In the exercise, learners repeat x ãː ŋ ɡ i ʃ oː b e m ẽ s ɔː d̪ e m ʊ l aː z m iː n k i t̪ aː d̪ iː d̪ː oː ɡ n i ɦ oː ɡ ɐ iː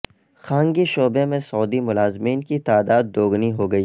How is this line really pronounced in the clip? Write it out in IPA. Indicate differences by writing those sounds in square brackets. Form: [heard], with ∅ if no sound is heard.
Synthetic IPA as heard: x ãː ŋ ɡ i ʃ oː b e m ẽ s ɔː d̪ [i] m ʊ l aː z m iː n k i t̪ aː d̪ [aː] d̪ː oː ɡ n i ɦ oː ɡ ɐ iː